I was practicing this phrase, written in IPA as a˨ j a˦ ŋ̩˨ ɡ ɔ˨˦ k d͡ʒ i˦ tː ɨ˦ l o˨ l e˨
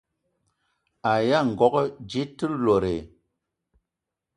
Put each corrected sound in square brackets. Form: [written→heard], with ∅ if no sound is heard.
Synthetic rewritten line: a˨ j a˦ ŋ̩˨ ɡ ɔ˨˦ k d͡ʒ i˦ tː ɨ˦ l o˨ [l→ɾ] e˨